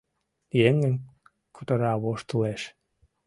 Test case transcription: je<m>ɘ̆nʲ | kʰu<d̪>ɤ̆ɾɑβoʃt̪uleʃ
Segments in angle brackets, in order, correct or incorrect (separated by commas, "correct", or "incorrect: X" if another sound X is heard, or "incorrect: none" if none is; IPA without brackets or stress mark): incorrect: ŋ, incorrect: t̪